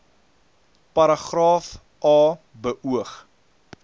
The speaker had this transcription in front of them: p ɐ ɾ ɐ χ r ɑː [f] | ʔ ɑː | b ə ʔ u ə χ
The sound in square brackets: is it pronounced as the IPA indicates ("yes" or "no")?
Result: yes